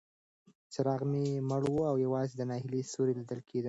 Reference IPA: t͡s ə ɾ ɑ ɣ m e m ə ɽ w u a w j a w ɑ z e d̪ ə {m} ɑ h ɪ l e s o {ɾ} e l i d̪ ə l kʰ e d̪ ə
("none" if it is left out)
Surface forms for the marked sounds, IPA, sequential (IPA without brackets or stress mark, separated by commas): n, ɾ